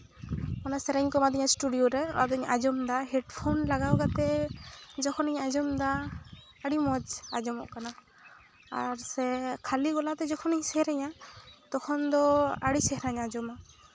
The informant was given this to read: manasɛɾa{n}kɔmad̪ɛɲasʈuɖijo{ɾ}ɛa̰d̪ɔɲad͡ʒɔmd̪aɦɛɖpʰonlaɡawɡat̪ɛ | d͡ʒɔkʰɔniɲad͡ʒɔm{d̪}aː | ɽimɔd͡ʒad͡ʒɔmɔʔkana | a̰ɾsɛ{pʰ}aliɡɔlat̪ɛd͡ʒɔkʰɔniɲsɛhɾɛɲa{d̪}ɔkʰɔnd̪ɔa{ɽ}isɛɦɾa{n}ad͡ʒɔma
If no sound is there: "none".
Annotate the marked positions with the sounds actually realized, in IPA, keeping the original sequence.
ɲ, ɾ, d̪, kʰ, t̪, ɽ, ɲ

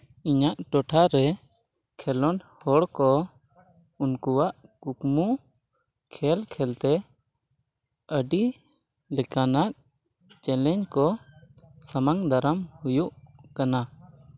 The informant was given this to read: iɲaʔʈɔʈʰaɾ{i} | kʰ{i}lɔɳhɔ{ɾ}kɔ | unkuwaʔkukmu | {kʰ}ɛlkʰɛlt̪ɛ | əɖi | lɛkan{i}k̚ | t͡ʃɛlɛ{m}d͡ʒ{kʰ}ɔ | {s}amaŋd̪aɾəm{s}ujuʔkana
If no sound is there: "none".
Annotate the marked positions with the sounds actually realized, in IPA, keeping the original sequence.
ɛ, ɛ, ɽ, kʰ, a, ɲ, k, s, h

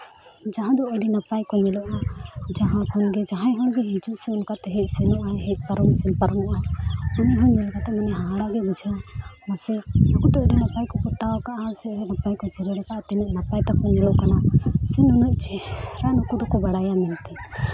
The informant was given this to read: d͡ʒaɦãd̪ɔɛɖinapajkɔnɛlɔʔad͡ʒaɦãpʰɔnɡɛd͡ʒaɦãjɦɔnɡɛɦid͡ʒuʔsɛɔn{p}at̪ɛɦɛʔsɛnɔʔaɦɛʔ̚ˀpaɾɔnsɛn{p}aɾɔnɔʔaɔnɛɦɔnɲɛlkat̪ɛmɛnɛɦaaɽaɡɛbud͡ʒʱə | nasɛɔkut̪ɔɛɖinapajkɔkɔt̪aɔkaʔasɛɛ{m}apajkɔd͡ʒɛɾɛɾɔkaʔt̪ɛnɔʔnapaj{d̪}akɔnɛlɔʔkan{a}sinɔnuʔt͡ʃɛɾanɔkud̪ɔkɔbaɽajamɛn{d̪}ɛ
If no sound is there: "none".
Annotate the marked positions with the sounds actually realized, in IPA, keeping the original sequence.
k, p, n, t̪, a, t̪

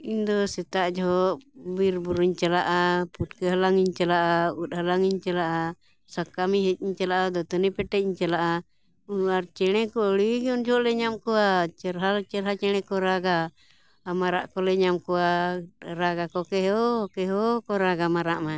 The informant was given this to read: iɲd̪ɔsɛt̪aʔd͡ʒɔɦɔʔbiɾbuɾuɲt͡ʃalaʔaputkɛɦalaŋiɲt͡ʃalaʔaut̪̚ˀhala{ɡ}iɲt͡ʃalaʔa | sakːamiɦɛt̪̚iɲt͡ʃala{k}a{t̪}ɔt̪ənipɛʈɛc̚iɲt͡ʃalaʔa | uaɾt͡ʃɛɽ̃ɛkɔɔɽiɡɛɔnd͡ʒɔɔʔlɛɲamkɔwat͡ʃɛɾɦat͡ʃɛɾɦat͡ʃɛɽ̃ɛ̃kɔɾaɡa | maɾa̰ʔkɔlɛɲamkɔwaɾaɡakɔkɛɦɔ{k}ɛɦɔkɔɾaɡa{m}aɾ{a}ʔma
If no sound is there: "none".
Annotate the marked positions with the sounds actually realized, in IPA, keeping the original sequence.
ŋ, ʔ, d̪, k, m, a

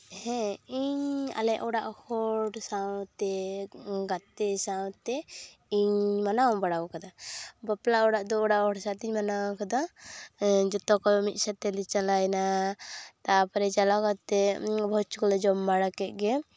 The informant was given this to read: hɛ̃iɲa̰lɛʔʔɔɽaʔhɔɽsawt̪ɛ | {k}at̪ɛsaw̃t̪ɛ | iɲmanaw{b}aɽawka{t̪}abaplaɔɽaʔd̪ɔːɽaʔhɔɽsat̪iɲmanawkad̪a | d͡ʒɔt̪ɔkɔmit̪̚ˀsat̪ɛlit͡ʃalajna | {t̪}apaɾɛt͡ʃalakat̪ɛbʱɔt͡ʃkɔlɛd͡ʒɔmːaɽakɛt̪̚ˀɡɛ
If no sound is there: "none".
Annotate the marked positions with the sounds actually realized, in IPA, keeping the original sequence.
ɡ, b, d̪, t̪

